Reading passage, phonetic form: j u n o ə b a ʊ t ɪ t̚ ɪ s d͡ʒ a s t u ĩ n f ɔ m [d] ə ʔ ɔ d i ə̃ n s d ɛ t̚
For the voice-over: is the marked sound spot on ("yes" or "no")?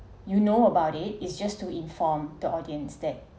yes